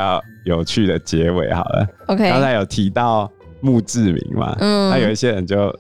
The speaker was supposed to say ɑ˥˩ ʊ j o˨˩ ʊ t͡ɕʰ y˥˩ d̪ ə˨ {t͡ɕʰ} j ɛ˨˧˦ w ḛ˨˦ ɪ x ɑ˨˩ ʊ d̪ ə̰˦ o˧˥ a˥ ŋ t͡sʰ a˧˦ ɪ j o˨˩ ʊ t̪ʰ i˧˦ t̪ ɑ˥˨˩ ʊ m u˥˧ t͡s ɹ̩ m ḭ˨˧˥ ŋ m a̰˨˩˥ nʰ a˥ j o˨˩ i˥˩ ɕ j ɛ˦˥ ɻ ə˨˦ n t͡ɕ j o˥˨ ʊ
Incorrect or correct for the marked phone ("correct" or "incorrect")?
incorrect